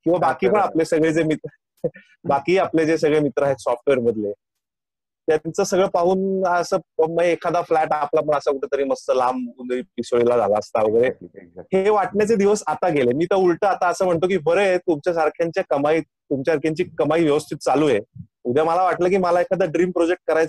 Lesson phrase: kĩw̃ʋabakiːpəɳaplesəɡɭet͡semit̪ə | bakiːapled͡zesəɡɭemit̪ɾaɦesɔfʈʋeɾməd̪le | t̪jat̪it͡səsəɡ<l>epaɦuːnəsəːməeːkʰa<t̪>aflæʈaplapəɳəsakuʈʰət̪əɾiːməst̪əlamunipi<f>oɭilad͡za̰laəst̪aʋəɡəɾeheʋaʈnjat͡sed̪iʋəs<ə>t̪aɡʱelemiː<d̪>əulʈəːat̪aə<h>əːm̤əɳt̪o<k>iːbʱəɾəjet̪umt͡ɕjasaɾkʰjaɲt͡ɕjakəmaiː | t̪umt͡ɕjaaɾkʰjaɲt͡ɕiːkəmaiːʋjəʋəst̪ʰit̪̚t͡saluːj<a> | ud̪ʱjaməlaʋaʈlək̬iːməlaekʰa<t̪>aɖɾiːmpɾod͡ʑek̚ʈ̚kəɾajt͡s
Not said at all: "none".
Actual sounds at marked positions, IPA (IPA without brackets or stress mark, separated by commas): ɭ, d̪, s, a, t̪, s, k, e, d̪